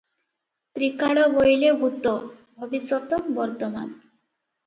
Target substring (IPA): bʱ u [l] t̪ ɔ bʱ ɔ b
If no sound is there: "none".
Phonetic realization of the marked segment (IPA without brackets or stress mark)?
none